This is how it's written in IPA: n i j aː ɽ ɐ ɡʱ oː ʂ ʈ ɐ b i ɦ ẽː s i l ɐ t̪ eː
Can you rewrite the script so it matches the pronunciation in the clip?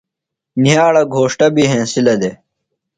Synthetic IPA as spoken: n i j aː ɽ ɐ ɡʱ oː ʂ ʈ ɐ b i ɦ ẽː s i l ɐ d̪ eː